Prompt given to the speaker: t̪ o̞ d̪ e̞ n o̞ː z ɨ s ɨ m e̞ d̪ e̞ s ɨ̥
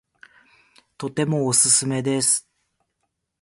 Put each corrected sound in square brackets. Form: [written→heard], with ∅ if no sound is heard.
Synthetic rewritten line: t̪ o̞ [d̪→t̪] e̞ [n→m] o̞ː [z→s] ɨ s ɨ m e̞ d̪ e̞ s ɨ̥